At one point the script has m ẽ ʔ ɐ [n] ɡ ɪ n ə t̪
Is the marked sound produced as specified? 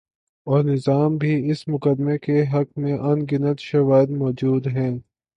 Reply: yes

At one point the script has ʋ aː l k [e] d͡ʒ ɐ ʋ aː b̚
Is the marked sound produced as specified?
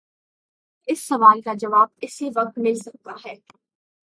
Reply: no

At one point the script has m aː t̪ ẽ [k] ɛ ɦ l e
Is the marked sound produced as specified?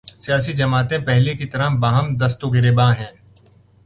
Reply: no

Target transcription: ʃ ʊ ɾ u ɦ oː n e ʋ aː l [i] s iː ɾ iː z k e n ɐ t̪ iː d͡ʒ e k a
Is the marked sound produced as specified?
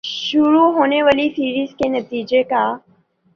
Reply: yes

